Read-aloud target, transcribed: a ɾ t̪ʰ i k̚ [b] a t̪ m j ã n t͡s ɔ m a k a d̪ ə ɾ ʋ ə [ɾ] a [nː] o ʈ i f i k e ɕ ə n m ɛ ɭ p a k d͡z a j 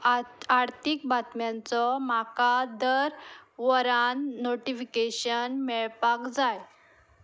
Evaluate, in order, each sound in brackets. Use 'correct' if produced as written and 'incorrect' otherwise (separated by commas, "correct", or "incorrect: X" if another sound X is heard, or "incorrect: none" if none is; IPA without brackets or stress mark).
correct, correct, correct